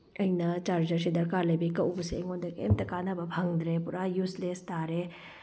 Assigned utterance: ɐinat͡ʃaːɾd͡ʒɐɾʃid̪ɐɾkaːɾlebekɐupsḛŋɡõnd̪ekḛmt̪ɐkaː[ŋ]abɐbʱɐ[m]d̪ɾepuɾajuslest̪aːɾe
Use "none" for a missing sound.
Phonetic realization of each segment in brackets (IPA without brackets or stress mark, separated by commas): n, ŋ